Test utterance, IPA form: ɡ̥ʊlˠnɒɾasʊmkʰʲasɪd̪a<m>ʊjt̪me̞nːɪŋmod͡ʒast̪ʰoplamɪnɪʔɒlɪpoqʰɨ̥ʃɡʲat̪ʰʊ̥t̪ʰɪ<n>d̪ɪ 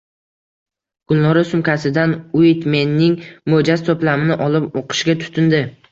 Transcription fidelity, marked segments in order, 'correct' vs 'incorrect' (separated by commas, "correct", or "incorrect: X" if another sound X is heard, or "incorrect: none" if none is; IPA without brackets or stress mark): incorrect: n, correct